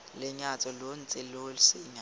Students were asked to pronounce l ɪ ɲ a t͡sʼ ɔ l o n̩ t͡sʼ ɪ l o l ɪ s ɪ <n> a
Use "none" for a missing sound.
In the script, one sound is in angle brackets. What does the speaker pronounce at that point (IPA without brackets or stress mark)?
ɲ